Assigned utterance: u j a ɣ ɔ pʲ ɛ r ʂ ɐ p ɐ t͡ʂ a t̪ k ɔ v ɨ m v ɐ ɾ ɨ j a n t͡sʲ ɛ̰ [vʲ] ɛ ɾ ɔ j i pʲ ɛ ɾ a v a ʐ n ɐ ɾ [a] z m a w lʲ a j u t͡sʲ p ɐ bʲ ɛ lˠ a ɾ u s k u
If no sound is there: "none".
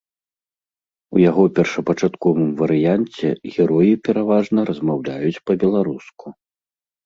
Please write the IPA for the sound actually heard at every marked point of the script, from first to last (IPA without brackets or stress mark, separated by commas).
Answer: ɣʲ, ɐ